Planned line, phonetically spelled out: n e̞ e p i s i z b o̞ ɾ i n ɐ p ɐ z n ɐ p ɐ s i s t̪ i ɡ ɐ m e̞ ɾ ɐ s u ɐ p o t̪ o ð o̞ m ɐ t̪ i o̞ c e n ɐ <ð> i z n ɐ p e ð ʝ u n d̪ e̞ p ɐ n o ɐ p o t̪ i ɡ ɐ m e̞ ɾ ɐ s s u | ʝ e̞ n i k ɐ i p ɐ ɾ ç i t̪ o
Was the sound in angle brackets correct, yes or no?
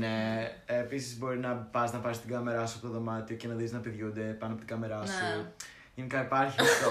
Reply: yes